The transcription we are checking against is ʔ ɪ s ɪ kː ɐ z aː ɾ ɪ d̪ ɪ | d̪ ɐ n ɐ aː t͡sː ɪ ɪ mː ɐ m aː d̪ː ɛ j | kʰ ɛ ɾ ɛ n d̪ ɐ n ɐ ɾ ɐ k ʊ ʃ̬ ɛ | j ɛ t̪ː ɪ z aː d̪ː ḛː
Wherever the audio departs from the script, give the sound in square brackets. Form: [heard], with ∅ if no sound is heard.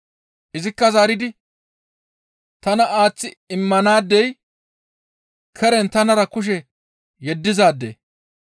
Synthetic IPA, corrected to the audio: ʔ ɪ [z] ɪ kː ɐ z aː ɾ ɪ d̪ ɪ | [t̪] ɐ n ɐ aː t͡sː ɪ ɪ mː ɐ [n] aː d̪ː ɛ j | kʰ ɛ ɾ ɛ n [t̪] ɐ n ɐ ɾ ɐ k ʊ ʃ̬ ɛ | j ɛ [d̪ː] ɪ z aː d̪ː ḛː